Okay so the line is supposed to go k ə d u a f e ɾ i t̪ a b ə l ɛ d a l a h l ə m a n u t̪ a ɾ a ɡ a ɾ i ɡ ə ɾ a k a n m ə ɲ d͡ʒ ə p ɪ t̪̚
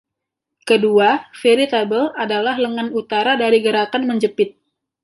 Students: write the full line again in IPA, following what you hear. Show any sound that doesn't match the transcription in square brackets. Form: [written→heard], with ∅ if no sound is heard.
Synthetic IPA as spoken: k ə d u a f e ɾ i t̪ a b ə l [ɛ→a] d a l a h l ə [m→ŋ] a n u t̪ a ɾ a [ɡ→d] a ɾ i ɡ ə ɾ a k a n m ə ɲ d͡ʒ ə p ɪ t̪̚